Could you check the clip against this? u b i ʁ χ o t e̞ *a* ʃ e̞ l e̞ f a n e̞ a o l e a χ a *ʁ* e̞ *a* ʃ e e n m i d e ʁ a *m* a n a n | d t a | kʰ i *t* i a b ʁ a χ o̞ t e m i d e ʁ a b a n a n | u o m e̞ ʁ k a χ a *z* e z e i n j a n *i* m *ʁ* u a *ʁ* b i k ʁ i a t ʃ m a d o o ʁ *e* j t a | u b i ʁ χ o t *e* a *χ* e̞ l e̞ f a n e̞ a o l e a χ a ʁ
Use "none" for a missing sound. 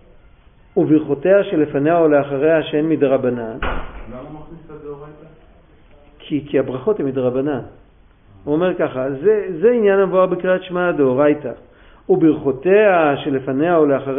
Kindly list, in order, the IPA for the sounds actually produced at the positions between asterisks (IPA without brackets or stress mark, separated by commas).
a, ʁ, a, b, k, z, a, v, ʁ, a, e, ʃ